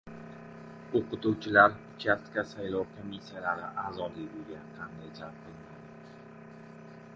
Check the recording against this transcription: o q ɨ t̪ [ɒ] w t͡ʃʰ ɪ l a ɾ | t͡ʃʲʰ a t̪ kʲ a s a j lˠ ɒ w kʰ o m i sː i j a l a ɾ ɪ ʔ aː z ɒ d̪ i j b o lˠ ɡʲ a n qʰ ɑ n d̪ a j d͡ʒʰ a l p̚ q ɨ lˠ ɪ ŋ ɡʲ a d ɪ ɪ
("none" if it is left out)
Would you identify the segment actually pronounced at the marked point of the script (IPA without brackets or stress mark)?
u